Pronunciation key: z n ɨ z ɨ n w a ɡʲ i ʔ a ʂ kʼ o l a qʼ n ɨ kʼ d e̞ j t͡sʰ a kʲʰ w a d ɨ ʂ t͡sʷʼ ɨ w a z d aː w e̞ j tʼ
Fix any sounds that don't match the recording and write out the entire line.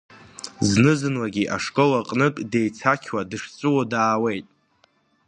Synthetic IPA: z n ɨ z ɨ n w a ɡʲ i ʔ a ʂ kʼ o l a qʼ n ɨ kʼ d e̞ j t͡sʰ a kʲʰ w a d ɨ ʂ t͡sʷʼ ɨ w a d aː w e̞ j tʼ

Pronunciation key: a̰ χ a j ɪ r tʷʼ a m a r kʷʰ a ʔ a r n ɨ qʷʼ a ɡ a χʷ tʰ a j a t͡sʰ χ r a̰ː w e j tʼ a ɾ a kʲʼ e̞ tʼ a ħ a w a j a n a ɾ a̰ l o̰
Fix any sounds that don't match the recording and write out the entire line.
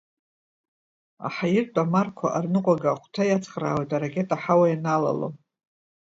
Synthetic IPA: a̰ ħ a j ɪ r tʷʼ a m a r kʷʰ a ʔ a r n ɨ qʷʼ a ɡ a χʷ tʰ a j a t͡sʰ χ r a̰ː w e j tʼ a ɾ a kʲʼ e̞ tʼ a ħ a w a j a n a l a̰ l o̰

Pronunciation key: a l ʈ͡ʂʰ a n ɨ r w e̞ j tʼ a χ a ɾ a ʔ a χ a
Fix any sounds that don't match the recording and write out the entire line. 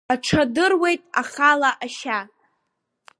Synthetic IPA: a ʈ͡ʂʰ a d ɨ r w e̞ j tʼ a χ a l a ʔ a ʃ a

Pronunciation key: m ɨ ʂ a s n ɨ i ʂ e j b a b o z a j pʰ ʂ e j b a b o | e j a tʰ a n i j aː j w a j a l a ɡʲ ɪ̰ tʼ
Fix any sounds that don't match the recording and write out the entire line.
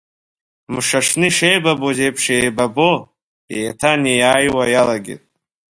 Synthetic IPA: m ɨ ʂ a ʂ n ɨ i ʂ e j b a b o z e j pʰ ʂ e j b a b o | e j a tʰ a n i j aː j w a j a l a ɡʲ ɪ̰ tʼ

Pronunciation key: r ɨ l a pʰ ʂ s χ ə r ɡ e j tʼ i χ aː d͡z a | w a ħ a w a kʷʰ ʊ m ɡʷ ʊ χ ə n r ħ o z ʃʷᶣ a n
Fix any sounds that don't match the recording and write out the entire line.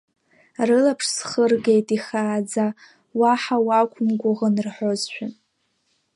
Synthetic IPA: r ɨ l a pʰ ʂ s χ ə r ɡ e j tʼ i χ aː d͡z a | w a ħ a w a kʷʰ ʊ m ɡʷ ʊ ʁ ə n r ħ o z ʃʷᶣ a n

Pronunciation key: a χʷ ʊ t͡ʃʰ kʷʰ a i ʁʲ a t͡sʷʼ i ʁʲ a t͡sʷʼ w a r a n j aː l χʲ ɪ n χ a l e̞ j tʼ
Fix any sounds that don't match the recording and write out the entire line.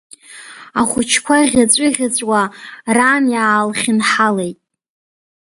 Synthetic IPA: a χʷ ʊ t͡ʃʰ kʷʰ a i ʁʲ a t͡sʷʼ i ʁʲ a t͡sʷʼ w a r a n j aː l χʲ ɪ n ħ a l e̞ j tʼ

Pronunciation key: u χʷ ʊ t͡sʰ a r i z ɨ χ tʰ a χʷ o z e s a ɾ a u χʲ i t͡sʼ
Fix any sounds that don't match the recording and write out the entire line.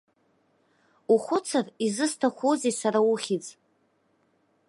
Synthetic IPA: u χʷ ʊ t͡sʰ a r i z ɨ s tʰ a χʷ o z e s a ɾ a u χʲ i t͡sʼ

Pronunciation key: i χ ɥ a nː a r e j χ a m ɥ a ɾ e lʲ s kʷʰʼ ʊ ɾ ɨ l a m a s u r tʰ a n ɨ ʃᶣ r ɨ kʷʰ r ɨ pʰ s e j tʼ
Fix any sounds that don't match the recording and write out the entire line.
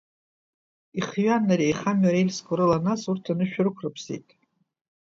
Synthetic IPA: i χ ɥ a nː a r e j χ a m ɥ a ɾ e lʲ s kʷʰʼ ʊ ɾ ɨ l a n a s u r tʰ a n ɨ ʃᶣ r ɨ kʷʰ r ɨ pʰ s e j tʼ

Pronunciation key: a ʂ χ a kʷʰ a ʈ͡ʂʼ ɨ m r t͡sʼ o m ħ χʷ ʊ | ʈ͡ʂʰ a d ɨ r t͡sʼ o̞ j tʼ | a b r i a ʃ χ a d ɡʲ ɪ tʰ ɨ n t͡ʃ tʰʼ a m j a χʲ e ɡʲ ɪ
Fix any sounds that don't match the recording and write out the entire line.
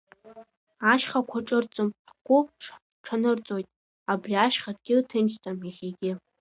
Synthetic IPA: a ʃ χ a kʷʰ a ʈ͡ʂʼ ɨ r t͡sʼ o m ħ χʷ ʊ | ʈ͡ʂʰ a n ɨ r t͡sʼ o̞ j tʼ | a b r i a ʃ χ a d ɡʲ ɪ tʰ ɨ n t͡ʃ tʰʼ a m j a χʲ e ɡʲ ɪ

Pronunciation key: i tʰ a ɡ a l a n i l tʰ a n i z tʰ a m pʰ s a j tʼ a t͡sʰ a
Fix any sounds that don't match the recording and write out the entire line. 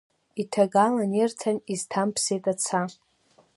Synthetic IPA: i tʰ a ɡ a l a n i r tʰ a n i z tʰ a m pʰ s e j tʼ a t͡sʰ a

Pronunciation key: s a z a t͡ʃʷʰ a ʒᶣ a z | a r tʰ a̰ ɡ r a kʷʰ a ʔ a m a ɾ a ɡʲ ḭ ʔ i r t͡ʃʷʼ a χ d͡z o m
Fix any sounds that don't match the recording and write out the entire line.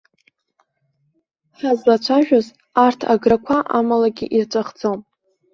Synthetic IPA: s a z a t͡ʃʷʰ a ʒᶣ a z | a r tʰ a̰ ɡ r a kʷʰ a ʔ a m a l a ɡʲ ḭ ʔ i r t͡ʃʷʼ a χ d͡z o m

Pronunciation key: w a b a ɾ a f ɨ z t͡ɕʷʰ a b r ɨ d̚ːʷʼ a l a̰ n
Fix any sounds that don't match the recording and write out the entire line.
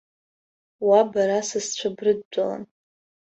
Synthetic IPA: w a b a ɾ a s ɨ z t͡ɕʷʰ a b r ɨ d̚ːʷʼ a l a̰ n

